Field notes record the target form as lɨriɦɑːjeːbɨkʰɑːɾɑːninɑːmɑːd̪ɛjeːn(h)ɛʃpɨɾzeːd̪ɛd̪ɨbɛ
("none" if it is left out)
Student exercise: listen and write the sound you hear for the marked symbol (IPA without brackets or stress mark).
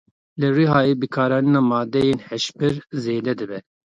h